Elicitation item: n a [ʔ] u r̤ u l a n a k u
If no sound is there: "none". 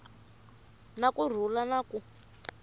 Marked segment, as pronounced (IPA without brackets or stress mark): k